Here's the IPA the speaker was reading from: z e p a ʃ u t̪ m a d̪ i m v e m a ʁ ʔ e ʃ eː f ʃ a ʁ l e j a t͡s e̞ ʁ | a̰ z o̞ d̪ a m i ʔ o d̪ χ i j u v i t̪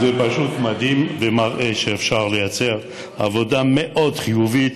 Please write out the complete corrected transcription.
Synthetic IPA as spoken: z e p a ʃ u t̪ m a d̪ i m v e m a ʁ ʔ e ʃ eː f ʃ a ʁ l e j a t͡s e̞ ʁ | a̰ v o̞ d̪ a m e ʔ o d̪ χ i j u v i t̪

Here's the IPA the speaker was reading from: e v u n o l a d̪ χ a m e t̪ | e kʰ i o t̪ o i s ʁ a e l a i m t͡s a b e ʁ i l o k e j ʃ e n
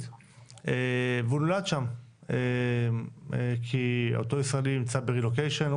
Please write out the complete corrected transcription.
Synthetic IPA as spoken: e v u n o l a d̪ ʃ a m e | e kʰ i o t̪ o i s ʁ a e l i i m t͡s a b e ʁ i l o k e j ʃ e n

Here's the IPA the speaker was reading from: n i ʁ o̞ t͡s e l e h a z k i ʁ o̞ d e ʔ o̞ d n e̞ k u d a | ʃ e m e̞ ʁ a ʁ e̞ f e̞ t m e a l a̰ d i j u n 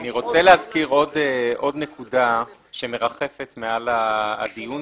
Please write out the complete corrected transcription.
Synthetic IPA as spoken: n i ʁ o̞ t͡s e l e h a z k i ʁ o̞ d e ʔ o̞ d n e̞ k u d a | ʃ e m e̞ ʁ a χ e̞ f e̞ t m e a l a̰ d i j u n

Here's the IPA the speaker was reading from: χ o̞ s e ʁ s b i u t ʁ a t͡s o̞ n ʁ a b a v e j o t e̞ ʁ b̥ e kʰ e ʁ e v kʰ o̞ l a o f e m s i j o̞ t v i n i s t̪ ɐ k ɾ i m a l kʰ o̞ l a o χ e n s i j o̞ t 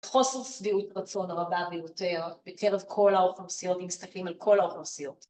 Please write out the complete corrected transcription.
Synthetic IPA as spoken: χ o̞ s e ʁ s v i u t ʁ a t͡s o̞ n ʁ a b a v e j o t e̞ ʁ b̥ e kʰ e ʁ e v kʰ o̞ l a o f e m s i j o̞ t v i m i s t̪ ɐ k l i m a l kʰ o̞ l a o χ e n s i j o̞ t

